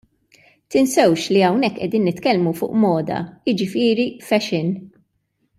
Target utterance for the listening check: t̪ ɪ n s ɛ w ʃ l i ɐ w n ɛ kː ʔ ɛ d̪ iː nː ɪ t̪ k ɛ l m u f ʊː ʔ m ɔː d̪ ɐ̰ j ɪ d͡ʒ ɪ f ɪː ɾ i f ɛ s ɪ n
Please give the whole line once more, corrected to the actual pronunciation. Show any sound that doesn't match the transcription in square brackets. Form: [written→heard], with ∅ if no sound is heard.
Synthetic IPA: t̪ ɪ n s ɛ w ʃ l i ɐ w n ɛ kː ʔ ɛ d̪ iː nː ɪ t̪ k ɛ l m u f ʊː ʔ m ɔː d̪ ɐ̰ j ɪ d͡ʒ ɪ f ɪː ɾ i f ɛ [s→ʃ] ɪ n